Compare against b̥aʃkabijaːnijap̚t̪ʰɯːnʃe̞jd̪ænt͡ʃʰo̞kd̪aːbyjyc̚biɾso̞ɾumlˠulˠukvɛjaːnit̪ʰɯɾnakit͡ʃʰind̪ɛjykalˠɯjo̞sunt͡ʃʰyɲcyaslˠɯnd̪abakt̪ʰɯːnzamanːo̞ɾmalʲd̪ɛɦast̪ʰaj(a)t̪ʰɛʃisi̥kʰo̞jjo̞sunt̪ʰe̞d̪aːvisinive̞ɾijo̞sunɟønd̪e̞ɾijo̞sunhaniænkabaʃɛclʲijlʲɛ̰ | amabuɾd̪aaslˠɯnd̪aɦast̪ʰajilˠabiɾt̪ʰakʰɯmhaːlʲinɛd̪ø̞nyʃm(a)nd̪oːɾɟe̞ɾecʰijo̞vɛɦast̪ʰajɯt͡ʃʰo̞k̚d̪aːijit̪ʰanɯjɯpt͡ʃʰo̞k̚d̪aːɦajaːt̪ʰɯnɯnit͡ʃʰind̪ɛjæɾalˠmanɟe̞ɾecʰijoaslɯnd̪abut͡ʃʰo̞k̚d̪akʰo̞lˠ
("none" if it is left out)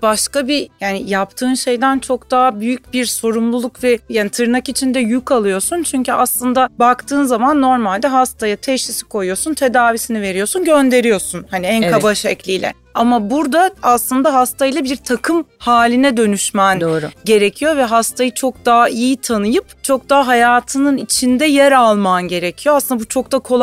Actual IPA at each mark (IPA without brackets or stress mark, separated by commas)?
a, æ